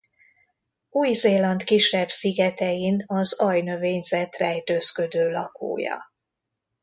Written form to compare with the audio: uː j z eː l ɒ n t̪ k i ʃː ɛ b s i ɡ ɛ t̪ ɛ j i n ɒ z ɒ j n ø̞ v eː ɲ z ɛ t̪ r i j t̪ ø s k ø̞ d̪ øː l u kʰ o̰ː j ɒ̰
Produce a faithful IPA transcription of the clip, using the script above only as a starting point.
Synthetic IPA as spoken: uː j z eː l ɒ n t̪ k i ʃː ɛ b s i ɡ ɛ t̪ ɛ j i n ɒ z ɒ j n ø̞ v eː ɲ z ɛ t̪ r ɛ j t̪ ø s k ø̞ d̪ øː l ɒ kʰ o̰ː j ɒ̰

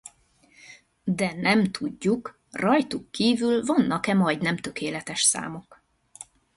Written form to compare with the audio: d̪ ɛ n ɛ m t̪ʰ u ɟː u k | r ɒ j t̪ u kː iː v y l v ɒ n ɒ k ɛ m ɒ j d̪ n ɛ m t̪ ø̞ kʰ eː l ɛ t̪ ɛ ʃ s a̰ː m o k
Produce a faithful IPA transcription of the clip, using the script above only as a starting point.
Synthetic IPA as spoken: d̪ ɛ n ɛ m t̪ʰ u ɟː u k | r ɒ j t̪ u kː iː v y l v ɒ nː ɒ k ɛ m ɒ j d̪ n ɛ m t̪ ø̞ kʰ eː l ɛ t̪ ɛ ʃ s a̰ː m o k

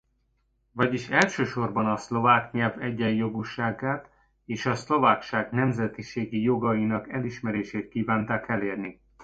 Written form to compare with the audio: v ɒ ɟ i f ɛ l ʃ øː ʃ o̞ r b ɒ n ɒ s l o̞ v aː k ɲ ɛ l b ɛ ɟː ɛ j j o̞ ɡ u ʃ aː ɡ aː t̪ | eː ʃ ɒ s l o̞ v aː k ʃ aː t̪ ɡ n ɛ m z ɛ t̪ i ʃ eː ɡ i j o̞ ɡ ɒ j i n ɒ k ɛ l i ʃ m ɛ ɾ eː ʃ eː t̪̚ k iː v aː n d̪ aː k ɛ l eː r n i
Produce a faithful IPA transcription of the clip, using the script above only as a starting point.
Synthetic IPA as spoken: v ɒ ɟ i ʃ ɛ l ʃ øː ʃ o̞ r b ɒ n ɒ s l o̞ v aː k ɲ ɛ l v ɛ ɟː ɛ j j o̞ ɡ u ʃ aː ɡ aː t̪ | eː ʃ ɒ s l o̞ v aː k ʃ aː ɡ n ɛ m z ɛ t̪ i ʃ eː ɡ i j o̞ ɡ ɒ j i n ɒ k ɛ l i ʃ m ɛ ɾ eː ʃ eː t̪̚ k iː v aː n t̪ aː k ɛ l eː r n i

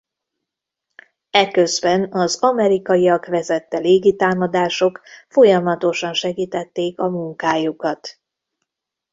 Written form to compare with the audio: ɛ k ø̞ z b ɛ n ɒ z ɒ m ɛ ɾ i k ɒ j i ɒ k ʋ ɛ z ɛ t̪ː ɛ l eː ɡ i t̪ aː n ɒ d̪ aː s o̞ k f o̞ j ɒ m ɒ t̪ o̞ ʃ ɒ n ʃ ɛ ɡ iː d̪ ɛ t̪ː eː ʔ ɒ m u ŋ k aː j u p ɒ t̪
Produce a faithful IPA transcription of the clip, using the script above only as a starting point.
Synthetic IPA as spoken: ɛ k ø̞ z b ɛ n ɒ z ɒ m ɛ ɾ i k ɒ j i ɒ k ʋ ɛ z ɛ t̪ː ɛ l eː ɡ i t̪ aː m ɒ d̪ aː ʃ o̞ k f o̞ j ɒ m ɒ t̪ o̞ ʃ ɒ n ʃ ɛ ɡ iː t̪ ɛ t̪ː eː k ɒ m u ŋ k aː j u k ɒ t̪

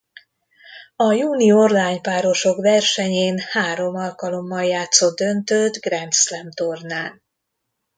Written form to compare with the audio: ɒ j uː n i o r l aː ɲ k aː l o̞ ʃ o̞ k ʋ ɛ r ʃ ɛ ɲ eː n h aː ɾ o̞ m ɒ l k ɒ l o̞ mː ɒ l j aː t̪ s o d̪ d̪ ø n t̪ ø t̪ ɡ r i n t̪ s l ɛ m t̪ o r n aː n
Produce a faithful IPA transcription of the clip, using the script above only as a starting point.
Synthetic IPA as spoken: ɒ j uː n i o r l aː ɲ p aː ɾ o̞ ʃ o̞ k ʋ ɛ r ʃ ɛ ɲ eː n h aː ɾ o̞ m ɒ l k ɒ l o̞ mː ɒ l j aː t̪ s o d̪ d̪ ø n t̪ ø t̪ ɡ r ɛ n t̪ s l ɛ m t̪ o r n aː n

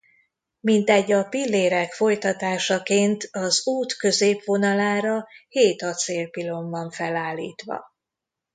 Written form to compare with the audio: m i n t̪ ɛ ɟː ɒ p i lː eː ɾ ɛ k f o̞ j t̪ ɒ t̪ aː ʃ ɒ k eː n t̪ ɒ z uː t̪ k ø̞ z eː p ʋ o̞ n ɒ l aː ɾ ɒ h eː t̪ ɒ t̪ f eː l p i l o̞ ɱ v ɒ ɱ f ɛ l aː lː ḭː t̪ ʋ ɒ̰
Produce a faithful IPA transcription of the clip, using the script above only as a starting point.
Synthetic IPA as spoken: m i n t̪ ɛ ɟː ɒ p i lː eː ɾ ɛ k f o̞ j t̪ ɒ t̪ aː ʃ ɒ k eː n t̪ ɒ z uː t̪ k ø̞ z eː p ʋ o̞ n ɒ l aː ɾ ɒ h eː t̪ ɒ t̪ s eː l p i l o̞ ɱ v ɒ ɱ f ɛ l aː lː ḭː t̪ ʋ ɒ̰

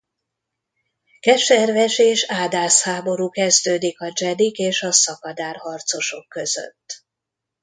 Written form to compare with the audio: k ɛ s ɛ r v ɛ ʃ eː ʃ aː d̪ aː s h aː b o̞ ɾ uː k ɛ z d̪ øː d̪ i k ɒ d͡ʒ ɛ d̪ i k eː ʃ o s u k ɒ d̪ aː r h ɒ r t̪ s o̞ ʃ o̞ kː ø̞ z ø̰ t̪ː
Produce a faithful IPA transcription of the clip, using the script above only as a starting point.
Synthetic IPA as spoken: k ɛ ʃ ɛ r v ɛ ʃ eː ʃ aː d̪ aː s h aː b o̞ ɾ uː k ɛ z d̪ øː d̪ i k ɒ d͡ʒ ɛ d̪ i k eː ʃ ɒ s ɒ k ɒ d̪ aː r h ɒ r t̪ s o̞ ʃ o̞ kː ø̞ z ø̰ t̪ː

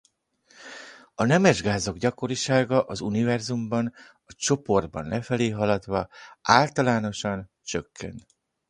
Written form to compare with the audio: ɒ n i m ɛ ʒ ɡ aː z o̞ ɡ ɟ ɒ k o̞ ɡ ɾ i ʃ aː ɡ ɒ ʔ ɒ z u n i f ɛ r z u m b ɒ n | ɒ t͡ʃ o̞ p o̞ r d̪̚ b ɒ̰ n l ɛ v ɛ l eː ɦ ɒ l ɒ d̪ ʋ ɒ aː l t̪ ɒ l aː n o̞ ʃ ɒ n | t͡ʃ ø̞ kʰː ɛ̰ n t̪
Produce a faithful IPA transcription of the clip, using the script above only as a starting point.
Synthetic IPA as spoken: ɒ n ɛ m ɛ ʒ ɡ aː z o̞ ɡ ɟ ɒ k o̞ ɾ i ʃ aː ɡ ɒ ʔ ɒ z u n i v ɛ r z u m b ɒ n | ɒ t͡ʃ o̞ p o̞ r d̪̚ b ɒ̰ n l ɛ f ɛ l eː ɦ ɒ l ɒ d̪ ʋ ɒ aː l t̪ ɒ l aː n o̞ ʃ ɒ n | t͡ʃ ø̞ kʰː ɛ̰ n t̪

